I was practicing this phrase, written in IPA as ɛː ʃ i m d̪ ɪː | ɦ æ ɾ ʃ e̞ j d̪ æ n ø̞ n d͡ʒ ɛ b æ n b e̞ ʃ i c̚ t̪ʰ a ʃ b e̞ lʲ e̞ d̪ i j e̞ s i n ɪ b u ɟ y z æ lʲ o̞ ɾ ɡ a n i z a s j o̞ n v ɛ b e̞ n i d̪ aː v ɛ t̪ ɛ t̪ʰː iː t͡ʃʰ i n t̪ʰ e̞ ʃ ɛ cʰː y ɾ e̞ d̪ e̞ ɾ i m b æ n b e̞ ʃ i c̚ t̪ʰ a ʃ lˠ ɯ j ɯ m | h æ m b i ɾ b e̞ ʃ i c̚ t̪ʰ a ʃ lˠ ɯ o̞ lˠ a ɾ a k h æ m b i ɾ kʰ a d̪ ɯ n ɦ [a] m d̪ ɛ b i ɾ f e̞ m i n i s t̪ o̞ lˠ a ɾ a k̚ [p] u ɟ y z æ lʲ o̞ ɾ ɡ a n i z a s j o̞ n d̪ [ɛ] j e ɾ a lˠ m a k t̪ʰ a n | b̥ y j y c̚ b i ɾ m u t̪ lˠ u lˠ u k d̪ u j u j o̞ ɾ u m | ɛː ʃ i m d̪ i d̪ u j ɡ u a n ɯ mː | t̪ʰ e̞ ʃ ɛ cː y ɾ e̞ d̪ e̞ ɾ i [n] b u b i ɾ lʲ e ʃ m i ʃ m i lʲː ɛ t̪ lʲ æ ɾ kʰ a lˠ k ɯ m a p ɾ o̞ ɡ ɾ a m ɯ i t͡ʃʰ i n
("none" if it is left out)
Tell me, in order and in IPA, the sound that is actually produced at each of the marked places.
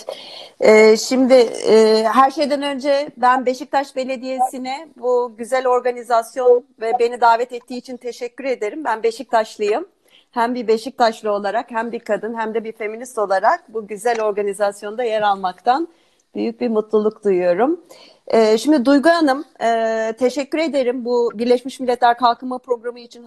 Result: æ, b, a, m

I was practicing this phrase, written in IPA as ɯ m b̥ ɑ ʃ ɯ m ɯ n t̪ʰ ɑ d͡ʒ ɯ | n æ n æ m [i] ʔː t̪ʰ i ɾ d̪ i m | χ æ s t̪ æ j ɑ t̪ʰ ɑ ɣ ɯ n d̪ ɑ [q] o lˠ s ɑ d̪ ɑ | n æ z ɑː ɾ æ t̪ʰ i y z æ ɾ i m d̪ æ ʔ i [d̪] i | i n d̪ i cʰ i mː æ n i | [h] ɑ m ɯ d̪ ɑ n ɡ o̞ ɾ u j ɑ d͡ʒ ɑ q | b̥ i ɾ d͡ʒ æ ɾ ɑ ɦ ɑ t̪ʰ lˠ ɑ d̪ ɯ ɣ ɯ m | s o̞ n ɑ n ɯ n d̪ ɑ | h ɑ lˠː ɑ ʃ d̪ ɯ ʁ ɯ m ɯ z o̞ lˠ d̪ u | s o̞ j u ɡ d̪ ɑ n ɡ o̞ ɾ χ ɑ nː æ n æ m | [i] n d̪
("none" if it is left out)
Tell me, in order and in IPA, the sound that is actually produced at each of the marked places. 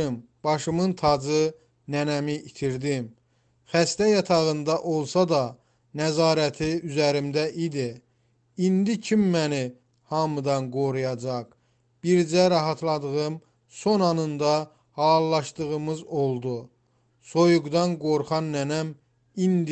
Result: i, ʔ, d̪, h, i

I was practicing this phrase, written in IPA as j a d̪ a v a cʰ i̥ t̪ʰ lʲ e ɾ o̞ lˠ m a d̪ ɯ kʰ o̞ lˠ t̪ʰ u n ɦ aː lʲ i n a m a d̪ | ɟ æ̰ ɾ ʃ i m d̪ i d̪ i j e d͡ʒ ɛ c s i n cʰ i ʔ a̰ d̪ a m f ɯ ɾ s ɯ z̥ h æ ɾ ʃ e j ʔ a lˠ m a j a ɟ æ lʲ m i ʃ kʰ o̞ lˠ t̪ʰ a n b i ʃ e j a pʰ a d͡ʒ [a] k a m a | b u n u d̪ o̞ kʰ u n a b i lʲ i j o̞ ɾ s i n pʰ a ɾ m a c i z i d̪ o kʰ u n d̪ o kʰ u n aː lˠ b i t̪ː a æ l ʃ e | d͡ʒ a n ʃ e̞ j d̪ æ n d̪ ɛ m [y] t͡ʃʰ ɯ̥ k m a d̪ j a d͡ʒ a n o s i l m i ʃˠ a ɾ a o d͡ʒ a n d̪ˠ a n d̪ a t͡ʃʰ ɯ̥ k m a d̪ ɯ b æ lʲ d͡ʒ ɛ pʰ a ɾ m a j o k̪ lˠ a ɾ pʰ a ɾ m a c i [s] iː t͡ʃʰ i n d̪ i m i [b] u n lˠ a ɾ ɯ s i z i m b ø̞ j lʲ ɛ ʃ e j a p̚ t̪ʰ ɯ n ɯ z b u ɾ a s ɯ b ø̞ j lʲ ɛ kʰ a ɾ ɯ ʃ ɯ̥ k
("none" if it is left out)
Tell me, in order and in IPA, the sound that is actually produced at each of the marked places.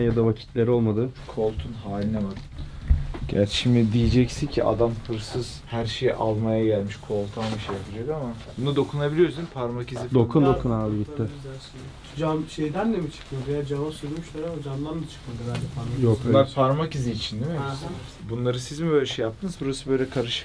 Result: a, i, z, b

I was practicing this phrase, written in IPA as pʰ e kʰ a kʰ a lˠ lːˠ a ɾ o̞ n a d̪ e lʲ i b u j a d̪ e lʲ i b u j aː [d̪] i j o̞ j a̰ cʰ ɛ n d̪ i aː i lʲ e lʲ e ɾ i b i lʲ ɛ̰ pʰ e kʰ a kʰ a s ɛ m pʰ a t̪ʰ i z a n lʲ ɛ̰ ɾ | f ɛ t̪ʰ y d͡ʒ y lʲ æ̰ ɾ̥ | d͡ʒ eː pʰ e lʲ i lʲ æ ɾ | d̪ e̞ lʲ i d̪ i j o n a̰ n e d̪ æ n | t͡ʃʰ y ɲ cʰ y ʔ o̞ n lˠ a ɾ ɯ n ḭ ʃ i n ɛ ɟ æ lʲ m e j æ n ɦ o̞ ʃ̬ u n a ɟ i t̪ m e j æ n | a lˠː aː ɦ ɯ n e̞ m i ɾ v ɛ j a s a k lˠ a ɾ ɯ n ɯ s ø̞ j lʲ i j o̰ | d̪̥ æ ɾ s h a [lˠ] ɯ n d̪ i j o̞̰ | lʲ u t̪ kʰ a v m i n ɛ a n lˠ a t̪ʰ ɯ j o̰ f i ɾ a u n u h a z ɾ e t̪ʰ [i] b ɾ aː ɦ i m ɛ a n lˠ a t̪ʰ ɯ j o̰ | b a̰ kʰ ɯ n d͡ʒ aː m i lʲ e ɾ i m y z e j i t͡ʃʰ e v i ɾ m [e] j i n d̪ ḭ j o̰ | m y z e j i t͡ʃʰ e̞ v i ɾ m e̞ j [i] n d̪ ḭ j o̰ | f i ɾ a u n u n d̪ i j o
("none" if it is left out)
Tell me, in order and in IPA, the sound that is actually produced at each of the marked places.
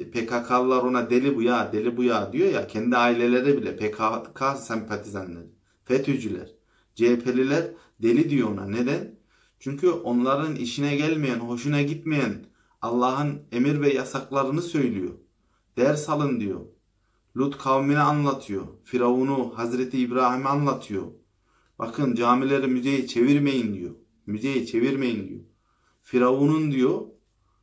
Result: d̪, lˠ, iː, e, i

